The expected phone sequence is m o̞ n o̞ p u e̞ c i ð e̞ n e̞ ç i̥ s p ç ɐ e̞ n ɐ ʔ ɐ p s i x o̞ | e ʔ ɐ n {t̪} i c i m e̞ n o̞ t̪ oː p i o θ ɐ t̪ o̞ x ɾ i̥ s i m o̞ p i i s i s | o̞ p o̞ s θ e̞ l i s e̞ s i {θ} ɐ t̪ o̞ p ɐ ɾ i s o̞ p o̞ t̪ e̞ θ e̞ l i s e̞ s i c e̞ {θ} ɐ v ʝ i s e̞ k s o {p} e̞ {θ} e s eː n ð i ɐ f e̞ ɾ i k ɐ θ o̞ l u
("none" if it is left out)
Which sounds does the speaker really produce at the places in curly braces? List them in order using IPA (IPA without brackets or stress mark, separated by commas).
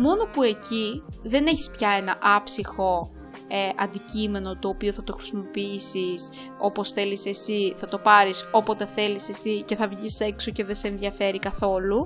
d̪, θ, θ, c, ð